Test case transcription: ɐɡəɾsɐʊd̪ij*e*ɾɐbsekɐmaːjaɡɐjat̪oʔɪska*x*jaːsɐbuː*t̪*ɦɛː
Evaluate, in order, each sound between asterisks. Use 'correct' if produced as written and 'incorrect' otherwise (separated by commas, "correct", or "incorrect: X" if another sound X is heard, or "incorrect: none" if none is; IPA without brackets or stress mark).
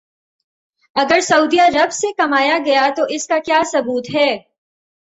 incorrect: a, incorrect: k, correct